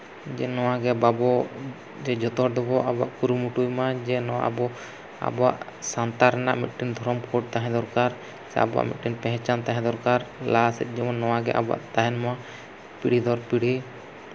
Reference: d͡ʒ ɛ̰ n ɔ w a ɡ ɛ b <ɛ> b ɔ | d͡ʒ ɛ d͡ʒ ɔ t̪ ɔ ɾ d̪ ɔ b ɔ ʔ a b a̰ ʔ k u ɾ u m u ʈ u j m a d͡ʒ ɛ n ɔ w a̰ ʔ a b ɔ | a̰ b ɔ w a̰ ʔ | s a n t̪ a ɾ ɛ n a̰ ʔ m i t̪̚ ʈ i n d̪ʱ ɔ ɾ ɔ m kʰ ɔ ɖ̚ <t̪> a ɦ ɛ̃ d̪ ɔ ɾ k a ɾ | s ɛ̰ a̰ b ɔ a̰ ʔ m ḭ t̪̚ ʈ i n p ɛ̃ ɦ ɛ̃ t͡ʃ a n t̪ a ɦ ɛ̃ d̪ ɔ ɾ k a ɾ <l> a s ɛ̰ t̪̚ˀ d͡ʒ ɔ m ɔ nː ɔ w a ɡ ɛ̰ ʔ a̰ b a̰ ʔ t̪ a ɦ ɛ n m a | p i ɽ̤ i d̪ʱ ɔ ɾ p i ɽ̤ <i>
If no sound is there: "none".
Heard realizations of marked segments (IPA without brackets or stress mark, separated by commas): a, t̪, l, i